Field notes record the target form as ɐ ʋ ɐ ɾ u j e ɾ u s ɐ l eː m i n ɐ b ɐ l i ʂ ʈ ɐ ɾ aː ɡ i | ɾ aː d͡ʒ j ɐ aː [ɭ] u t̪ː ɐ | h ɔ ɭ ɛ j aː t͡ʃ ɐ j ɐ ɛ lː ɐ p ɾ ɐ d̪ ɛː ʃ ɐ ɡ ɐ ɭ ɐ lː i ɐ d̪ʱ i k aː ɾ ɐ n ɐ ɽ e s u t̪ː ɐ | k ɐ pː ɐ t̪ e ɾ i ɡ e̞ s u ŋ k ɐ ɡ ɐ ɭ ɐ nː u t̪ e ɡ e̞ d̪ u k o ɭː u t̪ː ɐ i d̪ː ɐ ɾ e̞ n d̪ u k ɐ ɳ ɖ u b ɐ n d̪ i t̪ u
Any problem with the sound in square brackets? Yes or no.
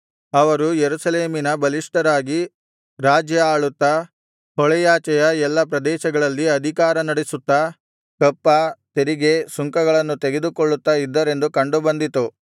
no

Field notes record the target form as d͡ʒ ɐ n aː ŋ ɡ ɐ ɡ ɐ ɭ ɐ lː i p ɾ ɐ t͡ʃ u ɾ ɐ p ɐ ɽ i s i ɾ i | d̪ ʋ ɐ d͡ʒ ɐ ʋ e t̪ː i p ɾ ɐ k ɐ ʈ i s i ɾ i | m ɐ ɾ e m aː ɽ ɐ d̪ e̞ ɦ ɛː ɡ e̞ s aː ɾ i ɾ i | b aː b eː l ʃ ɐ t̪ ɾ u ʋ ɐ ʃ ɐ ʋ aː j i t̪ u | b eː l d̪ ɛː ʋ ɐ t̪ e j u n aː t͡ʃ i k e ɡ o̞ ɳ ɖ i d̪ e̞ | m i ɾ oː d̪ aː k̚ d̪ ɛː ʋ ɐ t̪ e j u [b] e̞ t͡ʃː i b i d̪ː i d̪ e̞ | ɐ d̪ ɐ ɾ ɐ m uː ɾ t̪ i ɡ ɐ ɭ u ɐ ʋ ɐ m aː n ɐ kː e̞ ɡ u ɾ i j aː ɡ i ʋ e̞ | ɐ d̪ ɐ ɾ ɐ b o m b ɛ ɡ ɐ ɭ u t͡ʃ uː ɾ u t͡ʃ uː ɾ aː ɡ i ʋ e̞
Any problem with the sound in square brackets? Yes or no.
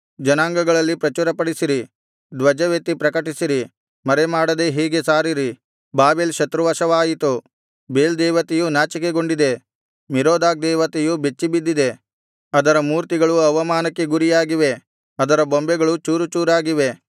no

